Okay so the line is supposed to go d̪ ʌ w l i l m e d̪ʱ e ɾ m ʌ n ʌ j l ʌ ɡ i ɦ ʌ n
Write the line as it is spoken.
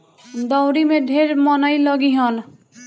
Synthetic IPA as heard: d̪ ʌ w ɾ i m e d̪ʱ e ɾ m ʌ n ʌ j l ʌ ɡ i ɦ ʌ n